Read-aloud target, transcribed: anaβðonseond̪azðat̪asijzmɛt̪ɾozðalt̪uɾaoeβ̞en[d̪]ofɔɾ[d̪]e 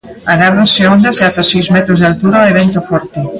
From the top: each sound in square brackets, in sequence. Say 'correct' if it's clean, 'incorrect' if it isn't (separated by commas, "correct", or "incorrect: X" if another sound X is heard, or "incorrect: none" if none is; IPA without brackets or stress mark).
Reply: incorrect: t̪, incorrect: t̪